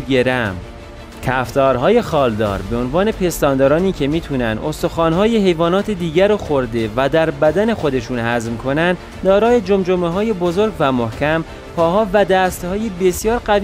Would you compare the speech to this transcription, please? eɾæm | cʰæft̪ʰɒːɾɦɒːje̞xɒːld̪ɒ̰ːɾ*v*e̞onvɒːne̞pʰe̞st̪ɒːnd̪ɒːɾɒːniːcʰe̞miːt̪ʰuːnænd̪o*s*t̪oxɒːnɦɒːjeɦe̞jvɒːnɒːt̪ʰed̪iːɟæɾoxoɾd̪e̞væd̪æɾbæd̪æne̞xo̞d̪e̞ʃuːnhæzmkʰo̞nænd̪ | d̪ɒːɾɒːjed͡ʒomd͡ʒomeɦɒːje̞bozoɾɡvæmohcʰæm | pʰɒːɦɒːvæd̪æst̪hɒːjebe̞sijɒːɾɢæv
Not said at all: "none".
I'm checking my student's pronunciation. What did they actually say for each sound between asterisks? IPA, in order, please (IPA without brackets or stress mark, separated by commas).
b, s